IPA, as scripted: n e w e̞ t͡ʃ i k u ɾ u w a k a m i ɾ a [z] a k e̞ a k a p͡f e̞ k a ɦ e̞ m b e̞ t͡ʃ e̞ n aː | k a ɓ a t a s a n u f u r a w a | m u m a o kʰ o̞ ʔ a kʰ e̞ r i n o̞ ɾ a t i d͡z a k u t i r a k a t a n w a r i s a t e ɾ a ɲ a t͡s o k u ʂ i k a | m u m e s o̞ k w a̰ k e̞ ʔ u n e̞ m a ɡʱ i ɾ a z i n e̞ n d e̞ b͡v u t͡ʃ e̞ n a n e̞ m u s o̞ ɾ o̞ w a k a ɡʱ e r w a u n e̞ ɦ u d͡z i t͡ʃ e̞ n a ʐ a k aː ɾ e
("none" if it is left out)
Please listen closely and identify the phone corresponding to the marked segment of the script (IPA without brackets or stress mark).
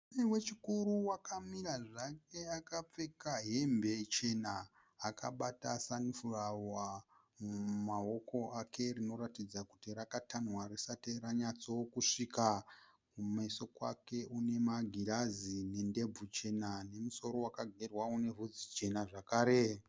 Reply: ʐ